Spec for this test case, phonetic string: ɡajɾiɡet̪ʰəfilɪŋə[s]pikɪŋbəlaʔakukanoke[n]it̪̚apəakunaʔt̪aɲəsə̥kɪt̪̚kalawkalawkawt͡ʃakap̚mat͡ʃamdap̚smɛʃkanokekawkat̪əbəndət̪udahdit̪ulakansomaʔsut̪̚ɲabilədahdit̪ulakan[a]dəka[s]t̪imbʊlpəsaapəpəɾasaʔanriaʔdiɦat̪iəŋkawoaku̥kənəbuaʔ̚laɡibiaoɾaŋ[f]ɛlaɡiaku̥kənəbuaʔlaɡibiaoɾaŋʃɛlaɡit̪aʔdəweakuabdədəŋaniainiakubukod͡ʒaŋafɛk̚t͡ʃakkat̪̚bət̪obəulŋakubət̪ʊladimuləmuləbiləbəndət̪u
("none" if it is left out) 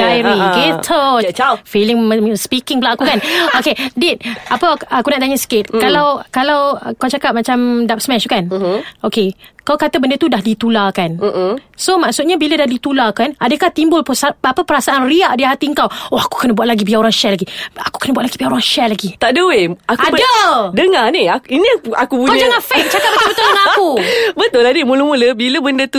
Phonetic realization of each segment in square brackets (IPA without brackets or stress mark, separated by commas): s, d, a, h, ʃ